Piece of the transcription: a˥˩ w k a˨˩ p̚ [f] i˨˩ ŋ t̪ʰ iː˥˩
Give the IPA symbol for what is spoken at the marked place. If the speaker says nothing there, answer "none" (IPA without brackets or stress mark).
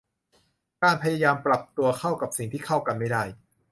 s